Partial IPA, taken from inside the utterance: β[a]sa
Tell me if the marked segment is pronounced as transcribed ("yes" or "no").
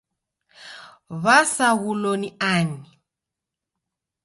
yes